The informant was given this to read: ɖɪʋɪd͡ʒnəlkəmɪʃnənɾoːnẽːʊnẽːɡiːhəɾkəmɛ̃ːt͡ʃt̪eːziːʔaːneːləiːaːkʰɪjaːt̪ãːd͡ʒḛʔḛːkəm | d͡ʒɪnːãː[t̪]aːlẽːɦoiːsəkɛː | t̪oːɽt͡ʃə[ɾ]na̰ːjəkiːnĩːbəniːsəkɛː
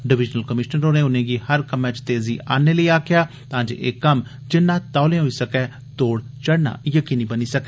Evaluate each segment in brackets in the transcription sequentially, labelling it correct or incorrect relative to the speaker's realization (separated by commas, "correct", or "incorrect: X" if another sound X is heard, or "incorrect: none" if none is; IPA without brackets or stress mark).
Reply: correct, incorrect: ɽ